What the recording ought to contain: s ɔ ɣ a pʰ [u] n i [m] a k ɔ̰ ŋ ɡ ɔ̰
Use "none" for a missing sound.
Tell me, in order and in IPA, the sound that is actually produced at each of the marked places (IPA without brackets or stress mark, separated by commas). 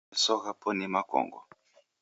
ɔ, m